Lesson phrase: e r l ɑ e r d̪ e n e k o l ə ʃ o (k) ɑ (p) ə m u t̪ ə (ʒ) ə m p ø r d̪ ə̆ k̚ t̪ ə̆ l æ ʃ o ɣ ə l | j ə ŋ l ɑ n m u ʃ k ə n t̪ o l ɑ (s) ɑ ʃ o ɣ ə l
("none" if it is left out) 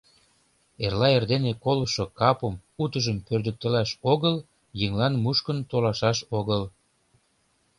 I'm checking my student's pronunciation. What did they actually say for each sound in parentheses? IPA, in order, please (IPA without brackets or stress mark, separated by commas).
k, p, ʒ, ʃ